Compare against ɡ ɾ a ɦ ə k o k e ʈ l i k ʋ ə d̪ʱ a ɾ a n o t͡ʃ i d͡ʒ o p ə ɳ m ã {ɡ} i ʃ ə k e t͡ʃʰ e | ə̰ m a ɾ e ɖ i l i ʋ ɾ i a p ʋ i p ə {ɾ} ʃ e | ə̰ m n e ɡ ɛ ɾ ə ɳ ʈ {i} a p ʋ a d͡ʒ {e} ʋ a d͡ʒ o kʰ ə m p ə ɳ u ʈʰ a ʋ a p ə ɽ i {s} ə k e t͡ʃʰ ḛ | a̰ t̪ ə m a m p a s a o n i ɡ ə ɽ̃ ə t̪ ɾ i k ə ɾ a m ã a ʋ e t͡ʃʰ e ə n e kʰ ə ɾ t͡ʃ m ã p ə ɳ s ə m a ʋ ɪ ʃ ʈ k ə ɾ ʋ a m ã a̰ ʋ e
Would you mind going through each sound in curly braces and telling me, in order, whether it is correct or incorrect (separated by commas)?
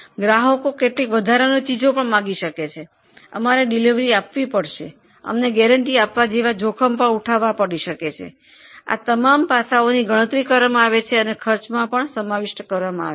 correct, incorrect, correct, correct, incorrect